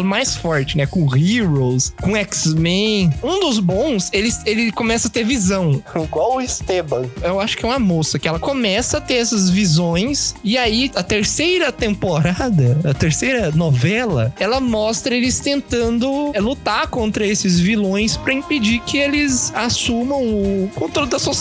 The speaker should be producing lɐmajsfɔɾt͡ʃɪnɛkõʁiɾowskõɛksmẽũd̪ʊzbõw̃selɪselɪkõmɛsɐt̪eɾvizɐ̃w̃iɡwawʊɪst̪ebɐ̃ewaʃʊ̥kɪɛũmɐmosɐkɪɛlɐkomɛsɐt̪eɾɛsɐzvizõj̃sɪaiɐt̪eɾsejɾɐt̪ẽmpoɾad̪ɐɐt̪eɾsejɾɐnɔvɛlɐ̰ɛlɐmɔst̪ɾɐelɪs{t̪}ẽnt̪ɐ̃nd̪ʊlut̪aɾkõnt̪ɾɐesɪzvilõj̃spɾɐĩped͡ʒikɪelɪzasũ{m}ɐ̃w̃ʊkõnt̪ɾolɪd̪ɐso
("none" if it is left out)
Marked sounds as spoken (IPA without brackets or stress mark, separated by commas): t̪, m